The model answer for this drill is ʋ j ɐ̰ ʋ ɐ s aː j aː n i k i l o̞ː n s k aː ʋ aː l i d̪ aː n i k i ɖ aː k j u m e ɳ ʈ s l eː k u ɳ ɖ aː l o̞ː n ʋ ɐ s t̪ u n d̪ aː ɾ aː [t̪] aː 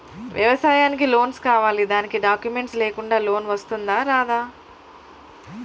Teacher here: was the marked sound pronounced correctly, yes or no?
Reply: no